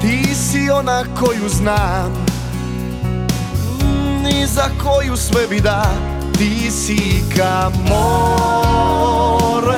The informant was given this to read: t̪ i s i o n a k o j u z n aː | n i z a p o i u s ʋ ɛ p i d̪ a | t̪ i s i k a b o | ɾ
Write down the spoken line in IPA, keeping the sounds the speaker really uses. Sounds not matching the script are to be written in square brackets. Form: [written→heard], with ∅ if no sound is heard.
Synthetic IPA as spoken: t̪ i s i o n a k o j u z n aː | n i z a [p→k] o [i→j] u s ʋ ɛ [p→b] i d̪ a | t̪ i s i k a [b→m] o | ɾ